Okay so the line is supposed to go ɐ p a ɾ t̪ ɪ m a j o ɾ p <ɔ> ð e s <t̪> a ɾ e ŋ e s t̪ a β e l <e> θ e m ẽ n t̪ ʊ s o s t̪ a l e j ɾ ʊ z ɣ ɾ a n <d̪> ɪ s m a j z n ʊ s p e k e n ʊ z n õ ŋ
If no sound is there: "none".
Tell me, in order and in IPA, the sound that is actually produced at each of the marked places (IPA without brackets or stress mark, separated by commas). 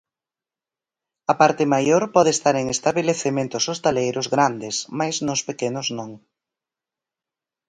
ɔ, t̪, e, d̪